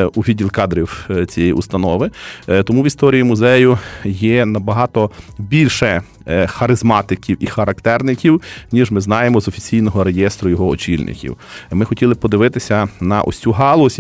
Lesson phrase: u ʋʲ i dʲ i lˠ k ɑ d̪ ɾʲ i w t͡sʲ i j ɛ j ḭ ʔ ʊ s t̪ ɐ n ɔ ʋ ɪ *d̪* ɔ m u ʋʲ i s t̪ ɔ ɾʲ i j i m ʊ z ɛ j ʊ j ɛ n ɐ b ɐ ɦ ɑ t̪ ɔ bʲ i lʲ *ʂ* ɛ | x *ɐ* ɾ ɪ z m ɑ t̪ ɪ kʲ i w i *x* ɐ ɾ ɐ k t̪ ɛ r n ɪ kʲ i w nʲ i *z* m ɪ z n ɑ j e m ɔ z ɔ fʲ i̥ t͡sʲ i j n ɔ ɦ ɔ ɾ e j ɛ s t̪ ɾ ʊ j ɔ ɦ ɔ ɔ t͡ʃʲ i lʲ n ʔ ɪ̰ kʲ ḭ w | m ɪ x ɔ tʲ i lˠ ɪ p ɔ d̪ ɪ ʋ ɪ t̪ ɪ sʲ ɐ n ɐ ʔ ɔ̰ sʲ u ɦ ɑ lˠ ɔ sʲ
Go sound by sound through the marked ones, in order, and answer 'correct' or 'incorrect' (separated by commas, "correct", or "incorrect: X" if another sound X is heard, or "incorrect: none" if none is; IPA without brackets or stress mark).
incorrect: t̪, incorrect: ʃ, correct, correct, incorrect: ʒ